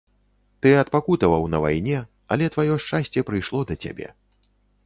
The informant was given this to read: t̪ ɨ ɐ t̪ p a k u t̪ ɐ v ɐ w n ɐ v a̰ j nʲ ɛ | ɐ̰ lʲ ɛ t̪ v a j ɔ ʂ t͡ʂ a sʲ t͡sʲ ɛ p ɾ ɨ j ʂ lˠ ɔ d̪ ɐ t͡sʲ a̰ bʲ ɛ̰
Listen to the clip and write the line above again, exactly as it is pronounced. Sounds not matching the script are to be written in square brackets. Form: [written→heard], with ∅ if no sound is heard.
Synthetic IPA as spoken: t̪ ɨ ɐ t̪ p a k u t̪ ɐ v ɐ w n ɐ v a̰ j nʲ ɛ | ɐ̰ lʲ ɛ t̪ v a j ɔ ʂ t͡ʂ a sʲ t͡sʲ ɛ p ɾ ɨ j ʂ lˠ ɔ d̪ ɐ t͡sʲ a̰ bʲ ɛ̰